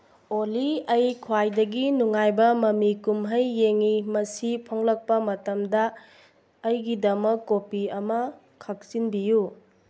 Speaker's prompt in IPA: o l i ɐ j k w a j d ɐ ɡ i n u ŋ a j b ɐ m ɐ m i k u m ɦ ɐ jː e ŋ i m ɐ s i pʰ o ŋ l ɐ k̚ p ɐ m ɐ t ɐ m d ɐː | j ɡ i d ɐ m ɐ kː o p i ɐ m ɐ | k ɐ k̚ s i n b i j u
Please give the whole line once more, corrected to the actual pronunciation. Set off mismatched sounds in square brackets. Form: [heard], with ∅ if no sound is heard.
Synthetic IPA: o l i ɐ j [kʰ] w a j d ɐ ɡ i n u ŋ a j b ɐ m ɐ m i k u m ɦ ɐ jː e ŋ i m ɐ s i pʰ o ŋ l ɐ k̚ p ɐ m ɐ t ɐ m d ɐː | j ɡ i d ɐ m ɐ kː o p i ɐ m ɐ | [kʰ] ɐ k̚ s i n b i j u

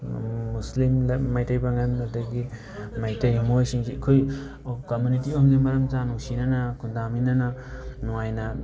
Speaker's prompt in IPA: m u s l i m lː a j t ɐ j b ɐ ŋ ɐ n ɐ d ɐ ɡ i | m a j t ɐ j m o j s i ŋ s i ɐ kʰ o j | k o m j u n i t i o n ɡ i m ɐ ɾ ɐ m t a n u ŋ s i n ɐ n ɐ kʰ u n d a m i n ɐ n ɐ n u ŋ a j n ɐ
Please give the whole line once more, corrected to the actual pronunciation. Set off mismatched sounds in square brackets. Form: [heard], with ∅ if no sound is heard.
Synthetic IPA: m u s l i m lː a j t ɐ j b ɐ ŋ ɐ n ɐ d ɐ ɡ i | m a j t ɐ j m o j s i ŋ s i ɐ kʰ o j | k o m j u n i t i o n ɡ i m ɐ ɾ ɐ m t a n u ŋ s i n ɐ n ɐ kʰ u n d a m i n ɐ n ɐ n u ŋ a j n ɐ

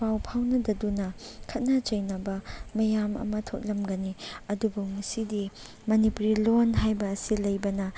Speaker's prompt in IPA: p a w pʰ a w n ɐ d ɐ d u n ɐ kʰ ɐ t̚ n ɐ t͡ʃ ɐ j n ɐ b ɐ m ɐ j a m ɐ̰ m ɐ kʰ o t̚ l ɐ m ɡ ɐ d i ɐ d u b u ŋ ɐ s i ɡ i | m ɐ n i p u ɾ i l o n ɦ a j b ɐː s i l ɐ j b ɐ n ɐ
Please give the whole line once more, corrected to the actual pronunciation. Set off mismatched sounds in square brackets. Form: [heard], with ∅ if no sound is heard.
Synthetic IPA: p a w pʰ a w n ɐ d ɐ d u n ɐ kʰ ɐ t̚ n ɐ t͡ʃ ɐ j n ɐ b ɐ m ɐ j a m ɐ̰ m ɐ [tʰ] o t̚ l ɐ m ɡ ɐ [n] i ɐ d u b u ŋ ɐ s i [d] i | m ɐ n i p u ɾ i l o n ɦ a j b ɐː s i l ɐ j b ɐ n ɐ

